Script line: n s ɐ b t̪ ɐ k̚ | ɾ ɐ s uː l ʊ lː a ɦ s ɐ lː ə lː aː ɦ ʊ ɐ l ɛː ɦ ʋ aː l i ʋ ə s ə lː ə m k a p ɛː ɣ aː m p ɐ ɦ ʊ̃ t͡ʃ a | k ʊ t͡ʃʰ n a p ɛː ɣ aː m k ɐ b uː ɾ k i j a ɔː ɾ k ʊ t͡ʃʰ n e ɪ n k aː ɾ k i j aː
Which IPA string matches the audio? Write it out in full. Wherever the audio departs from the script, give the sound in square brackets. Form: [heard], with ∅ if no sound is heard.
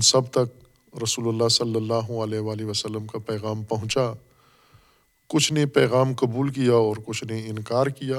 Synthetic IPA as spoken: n s ɐ b t̪ ɐ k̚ | ɾ ɐ s uː l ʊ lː a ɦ s ɐ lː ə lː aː ɦ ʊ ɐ l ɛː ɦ ʋ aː l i ʋ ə s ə lː ə m k a p ɛː ɣ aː m p ɐ ɦ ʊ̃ t͡ʃ a | k ʊ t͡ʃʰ n [e] p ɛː ɣ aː m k ɐ b uː [l] k i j a ɔː ɾ k ʊ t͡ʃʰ n e ɪ n k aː ɾ k i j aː